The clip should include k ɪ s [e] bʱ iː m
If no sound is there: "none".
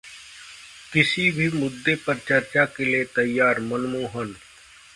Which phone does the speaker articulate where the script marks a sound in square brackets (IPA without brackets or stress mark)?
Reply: i